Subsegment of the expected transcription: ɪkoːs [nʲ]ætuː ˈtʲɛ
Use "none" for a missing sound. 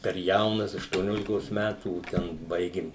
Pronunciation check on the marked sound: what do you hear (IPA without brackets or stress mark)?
mʲ